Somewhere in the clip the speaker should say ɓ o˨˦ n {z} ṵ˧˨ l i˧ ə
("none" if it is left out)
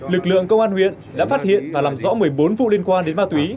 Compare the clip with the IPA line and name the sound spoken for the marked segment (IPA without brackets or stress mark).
v